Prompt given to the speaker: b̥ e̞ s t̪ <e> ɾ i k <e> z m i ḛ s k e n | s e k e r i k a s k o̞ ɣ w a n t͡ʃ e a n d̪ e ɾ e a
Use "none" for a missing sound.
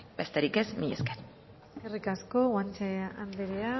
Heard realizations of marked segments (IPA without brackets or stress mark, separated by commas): e, e